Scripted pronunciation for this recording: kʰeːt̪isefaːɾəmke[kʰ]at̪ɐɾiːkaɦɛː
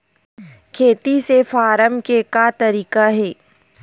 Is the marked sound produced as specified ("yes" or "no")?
no